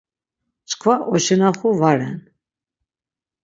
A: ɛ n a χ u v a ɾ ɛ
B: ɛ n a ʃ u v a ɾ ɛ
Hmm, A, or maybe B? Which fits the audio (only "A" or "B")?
A